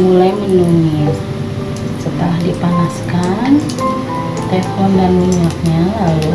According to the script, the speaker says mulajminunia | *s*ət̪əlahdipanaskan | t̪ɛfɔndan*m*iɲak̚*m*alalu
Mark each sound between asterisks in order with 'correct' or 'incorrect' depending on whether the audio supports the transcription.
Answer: correct, correct, incorrect: ɲ

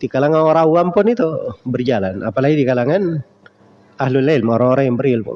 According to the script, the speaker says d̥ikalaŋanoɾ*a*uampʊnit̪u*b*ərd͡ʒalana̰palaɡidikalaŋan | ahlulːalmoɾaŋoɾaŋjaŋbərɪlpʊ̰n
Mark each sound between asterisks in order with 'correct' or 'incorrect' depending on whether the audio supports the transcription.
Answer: correct, correct

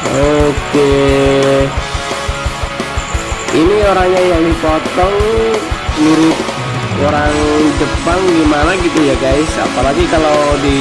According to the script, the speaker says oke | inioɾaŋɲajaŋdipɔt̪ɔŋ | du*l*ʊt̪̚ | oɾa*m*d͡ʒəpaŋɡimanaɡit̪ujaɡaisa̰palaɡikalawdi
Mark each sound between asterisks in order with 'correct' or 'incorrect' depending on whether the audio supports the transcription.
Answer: incorrect: ɾ, incorrect: ŋ

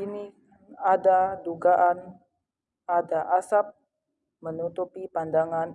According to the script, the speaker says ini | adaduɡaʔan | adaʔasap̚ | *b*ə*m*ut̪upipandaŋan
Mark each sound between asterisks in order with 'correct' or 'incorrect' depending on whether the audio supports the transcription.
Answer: incorrect: m, incorrect: n

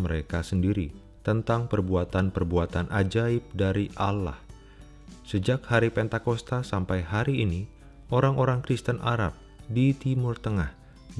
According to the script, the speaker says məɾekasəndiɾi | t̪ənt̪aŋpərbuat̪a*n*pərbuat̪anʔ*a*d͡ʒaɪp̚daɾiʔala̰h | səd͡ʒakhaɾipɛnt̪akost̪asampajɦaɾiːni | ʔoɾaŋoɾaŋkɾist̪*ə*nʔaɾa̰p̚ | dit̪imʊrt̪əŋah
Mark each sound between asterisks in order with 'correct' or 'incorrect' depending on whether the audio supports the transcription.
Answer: correct, correct, correct

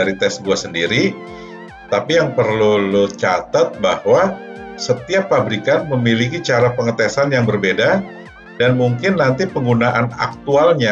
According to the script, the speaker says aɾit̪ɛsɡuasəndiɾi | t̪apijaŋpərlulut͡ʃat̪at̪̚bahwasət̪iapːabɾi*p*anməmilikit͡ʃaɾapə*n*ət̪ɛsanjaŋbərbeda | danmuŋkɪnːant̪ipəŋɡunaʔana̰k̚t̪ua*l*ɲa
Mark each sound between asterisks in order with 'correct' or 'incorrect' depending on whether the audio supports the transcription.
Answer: incorrect: k, incorrect: ŋ, correct

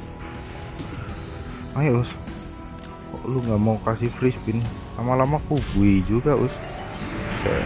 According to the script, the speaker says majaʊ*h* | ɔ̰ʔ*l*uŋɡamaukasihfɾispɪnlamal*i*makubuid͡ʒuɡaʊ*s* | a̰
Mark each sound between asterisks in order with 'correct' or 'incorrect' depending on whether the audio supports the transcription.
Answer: incorrect: s, correct, incorrect: a, correct

